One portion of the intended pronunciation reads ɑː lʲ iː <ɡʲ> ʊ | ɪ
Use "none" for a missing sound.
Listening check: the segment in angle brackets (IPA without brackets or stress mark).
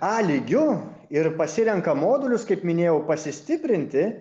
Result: ɡʲ